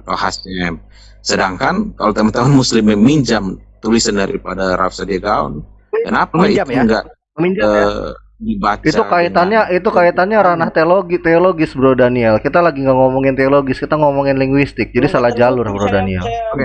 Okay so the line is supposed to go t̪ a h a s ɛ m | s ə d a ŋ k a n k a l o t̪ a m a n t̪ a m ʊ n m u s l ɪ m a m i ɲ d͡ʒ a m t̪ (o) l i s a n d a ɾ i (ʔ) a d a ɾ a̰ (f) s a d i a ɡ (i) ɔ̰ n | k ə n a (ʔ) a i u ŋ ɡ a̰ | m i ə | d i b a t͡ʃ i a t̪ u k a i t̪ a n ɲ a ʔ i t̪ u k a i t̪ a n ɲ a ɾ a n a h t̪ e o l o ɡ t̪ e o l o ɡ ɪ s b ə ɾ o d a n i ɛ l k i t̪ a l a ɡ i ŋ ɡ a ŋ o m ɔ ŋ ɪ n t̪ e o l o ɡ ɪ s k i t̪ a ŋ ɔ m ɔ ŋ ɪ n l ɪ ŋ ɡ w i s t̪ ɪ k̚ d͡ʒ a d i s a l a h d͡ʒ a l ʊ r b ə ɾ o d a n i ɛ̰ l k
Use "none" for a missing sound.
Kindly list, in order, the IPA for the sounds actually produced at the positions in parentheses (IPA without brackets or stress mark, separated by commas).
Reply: u, p, f, a, p